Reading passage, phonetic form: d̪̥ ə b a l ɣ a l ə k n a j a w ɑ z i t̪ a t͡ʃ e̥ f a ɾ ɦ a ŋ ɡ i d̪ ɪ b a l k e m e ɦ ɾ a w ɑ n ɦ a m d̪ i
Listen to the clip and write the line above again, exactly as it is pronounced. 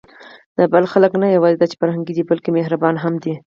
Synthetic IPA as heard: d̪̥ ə b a l x a l ə k n a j a w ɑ z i d̪ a t͡ʃ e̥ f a ɾ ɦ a ŋ ɡ i d̪ i b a l k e m e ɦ ɾ a b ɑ n ɦ a m d̪ i

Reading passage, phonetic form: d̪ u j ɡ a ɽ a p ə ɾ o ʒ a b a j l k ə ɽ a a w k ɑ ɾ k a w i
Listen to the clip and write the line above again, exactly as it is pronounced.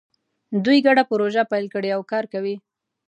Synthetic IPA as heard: d̪ u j ɡ a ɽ a p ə ɾ o ʒ a p a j l k ə ɽ e a w k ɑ ɾ k a w i

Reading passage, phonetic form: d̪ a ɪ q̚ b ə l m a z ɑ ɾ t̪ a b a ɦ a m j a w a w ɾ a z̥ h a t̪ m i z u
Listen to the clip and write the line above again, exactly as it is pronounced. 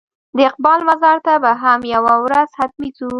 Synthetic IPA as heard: d̪ ə ɪ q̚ b ɑ l m a z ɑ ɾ t̪ a b a ɦ a m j a w a w ɾ a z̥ h a t̪ m i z u

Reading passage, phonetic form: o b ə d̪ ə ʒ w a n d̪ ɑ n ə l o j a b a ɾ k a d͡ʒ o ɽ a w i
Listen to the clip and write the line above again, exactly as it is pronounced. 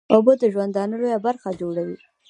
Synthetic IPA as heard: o b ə d̪ ə ʒ w a n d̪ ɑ n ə l o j a b a ɾ x a d͡ʒ o ɽ a w i

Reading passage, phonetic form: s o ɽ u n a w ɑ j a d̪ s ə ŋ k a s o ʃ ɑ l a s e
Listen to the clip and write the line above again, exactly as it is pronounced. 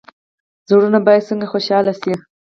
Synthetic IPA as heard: z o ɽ u n a b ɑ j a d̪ s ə ŋ ɡ a x o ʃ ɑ l a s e

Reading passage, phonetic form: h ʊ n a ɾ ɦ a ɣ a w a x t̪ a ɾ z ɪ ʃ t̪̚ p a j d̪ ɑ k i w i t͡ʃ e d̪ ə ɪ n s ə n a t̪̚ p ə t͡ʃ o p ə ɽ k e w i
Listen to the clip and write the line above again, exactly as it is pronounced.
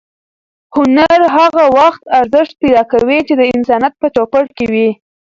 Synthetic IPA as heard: h ʊ n a ɾ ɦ a ɣ a w a x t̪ a ɾ z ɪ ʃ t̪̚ p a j d̪ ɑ k a w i t͡ʃ e d̪ ə ɪ n s ɑ n a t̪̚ p ə t͡ʃ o p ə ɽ k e w i

